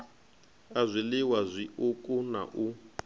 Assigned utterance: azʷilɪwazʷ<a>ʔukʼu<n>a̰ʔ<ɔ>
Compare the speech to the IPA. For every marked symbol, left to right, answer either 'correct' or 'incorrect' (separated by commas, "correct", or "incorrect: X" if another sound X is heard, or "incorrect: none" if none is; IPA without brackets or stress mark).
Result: incorrect: i, correct, incorrect: u